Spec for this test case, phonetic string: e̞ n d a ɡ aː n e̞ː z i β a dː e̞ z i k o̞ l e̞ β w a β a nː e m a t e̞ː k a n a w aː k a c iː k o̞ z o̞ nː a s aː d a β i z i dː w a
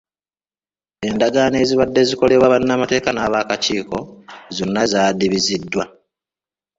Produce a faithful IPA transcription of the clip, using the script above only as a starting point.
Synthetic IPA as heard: e̞ n d a ɡ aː n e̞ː z i β a dː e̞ z i k o̞ l e̞ β w a β a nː a m a t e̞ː k a n a β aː k a c iː k o̞ z o̞ nː a z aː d i β i z i dː w a